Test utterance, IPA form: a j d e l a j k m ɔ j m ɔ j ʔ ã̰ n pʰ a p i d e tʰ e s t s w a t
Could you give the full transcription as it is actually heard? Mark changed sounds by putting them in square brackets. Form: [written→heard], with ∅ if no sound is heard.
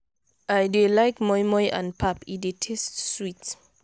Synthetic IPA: a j d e l a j k m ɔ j m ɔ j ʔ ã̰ n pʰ a p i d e tʰ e s t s w [a→i] t